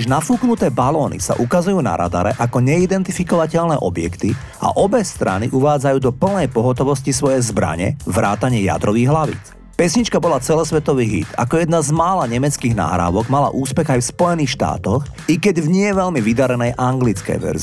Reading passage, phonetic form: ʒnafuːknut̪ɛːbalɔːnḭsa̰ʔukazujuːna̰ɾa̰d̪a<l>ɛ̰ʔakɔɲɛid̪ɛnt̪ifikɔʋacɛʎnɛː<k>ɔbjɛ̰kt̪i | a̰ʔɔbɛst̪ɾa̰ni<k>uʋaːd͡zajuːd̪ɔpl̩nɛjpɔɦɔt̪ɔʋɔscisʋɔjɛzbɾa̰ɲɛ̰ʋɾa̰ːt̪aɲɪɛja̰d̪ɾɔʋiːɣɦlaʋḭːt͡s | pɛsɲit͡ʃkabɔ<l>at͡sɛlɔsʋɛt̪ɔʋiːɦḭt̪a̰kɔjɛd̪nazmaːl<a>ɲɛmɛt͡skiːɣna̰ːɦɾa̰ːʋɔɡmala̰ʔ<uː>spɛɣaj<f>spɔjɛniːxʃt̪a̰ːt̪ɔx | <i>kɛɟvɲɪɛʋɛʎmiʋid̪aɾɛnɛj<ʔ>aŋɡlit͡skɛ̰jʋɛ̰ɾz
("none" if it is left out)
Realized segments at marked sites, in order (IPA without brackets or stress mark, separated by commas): ɾ, ʔ, ʔ, l, a, uː, f, i, ʔ